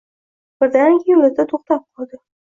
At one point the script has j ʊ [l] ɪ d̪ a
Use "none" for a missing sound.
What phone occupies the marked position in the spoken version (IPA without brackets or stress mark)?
l